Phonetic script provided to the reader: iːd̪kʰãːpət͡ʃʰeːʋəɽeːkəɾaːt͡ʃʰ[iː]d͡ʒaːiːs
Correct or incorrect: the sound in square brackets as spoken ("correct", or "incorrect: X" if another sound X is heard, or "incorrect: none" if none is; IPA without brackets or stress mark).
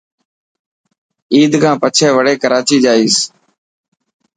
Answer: correct